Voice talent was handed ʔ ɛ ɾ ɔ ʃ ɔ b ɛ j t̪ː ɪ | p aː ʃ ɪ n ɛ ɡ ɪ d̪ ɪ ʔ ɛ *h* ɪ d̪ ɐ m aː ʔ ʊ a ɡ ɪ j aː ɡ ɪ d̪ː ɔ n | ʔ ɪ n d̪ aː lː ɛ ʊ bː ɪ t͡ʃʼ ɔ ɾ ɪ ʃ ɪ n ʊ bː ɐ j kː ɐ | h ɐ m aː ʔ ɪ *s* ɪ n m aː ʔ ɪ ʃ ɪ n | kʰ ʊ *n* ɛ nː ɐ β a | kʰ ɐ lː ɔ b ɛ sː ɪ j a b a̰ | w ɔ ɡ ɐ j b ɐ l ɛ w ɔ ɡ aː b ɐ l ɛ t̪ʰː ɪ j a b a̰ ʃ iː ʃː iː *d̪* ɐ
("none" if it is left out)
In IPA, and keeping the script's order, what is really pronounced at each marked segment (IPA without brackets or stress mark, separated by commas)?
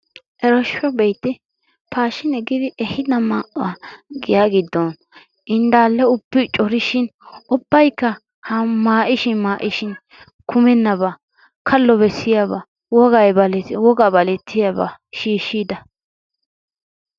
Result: h, ʃ, m, d̪